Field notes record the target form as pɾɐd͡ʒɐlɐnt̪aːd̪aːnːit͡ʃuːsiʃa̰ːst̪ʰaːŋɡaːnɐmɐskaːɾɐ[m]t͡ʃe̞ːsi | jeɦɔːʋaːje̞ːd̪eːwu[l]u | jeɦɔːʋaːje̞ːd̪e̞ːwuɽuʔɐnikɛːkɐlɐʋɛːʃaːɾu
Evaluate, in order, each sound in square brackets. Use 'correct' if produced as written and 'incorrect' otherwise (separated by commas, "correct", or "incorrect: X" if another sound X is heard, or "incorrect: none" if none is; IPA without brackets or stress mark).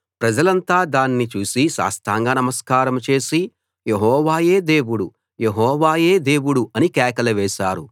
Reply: correct, incorrect: ɽ